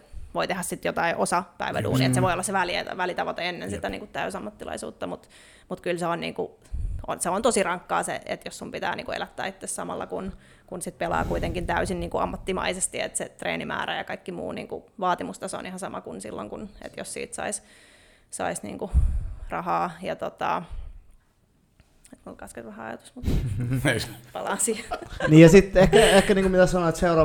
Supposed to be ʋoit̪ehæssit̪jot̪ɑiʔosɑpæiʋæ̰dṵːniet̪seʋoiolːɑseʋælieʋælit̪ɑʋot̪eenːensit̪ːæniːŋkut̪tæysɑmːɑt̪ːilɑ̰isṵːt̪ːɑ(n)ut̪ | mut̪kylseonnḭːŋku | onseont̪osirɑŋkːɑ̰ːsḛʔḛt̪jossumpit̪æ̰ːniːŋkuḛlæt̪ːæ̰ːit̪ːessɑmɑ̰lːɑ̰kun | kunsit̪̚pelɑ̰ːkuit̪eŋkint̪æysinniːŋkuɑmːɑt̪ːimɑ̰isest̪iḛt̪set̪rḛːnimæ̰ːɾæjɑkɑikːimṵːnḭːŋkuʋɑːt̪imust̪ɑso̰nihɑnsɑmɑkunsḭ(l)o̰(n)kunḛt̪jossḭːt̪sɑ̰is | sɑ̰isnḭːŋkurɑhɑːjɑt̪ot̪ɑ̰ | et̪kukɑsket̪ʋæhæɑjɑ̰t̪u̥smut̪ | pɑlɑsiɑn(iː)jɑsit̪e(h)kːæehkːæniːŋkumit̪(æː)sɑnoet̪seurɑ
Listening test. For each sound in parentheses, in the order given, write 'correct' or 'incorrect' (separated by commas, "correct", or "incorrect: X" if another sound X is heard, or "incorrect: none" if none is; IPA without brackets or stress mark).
incorrect: m, incorrect: lː, incorrect: ŋ, correct, correct, incorrect: æ